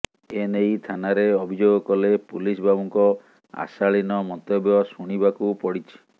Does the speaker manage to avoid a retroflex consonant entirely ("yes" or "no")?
no